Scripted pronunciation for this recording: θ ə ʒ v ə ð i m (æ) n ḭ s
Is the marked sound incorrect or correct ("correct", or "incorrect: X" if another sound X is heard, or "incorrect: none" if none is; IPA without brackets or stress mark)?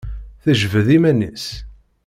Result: correct